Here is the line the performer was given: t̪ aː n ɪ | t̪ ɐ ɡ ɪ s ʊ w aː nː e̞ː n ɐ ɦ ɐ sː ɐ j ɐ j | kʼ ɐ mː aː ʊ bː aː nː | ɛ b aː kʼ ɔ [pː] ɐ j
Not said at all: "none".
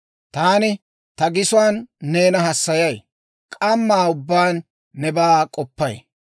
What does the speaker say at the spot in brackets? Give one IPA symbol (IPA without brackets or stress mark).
pː